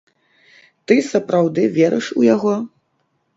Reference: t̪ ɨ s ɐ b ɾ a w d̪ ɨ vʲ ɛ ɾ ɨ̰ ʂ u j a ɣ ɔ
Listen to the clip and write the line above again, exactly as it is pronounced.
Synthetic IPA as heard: t̪ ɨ s ɐ p ɾ a w d̪ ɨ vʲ ɛ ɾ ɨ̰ ʂ u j a ɣ ɔ